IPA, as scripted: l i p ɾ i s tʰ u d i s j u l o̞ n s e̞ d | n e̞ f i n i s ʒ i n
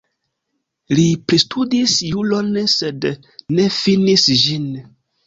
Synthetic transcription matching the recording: l i p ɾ i s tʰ u d i s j u l o̞ n s e̞ d | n e̞ f i n i s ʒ i n